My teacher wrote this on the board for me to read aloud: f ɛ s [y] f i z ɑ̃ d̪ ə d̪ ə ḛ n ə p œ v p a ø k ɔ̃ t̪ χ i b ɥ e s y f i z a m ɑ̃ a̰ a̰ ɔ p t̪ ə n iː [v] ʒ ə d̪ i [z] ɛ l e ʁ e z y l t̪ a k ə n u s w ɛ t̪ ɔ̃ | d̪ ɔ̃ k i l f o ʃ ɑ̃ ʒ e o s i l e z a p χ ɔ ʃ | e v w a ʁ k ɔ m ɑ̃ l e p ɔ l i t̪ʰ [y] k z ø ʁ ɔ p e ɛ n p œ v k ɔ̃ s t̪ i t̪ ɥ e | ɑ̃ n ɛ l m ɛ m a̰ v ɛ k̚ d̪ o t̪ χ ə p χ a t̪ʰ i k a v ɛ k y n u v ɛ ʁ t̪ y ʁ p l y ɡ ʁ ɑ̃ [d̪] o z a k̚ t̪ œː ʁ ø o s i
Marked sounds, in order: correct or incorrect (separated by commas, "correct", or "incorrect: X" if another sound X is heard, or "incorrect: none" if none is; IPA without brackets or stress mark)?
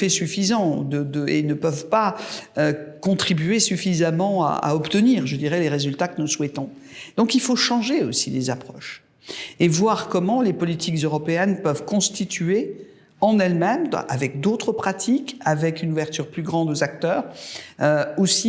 correct, incorrect: ʁ, incorrect: ʁ, incorrect: i, correct